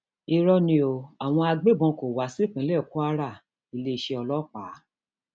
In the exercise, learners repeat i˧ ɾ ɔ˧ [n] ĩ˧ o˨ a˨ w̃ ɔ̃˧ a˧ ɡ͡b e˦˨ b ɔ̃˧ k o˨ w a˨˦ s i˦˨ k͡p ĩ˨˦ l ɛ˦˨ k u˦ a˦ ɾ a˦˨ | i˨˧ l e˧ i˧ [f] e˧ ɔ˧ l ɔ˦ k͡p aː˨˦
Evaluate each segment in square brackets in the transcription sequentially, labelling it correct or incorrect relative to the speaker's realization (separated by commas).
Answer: correct, incorrect